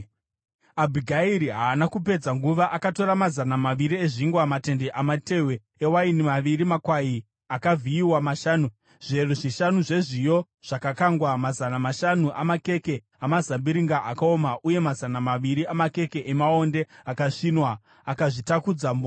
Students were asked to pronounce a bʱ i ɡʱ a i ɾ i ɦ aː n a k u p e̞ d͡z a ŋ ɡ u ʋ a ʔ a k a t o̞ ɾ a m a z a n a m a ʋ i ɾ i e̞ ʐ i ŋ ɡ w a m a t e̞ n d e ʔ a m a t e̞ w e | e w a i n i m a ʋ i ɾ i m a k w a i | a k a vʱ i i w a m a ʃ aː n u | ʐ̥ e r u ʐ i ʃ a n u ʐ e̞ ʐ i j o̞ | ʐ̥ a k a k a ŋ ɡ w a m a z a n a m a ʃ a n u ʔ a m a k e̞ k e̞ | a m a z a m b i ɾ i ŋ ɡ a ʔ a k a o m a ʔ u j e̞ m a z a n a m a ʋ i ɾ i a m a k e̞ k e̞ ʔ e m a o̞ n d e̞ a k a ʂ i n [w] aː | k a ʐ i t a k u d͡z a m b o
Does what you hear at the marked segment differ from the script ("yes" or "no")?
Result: no